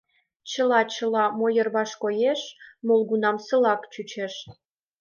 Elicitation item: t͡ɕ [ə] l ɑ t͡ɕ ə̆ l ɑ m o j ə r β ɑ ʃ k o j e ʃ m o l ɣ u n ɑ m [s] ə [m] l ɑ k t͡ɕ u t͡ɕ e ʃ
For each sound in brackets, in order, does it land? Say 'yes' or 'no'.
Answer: yes, yes, no

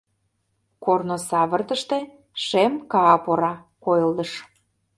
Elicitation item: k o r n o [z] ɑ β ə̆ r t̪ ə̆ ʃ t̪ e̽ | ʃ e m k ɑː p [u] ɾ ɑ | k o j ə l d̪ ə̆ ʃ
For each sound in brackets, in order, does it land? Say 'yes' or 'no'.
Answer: no, no

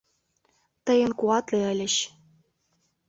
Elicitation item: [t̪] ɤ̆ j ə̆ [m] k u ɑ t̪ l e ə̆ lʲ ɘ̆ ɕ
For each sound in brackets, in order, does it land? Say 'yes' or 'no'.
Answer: yes, no

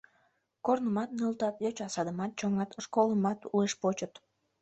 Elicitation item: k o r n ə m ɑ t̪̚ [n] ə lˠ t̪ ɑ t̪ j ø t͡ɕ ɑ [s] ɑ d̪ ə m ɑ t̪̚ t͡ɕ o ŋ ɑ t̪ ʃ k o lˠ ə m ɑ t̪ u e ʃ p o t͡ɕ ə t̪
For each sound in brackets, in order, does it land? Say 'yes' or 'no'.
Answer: yes, yes

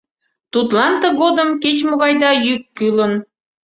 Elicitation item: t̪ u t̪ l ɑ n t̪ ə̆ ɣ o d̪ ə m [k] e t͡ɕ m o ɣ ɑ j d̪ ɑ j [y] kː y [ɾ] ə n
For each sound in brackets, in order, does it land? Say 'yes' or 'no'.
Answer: yes, yes, no

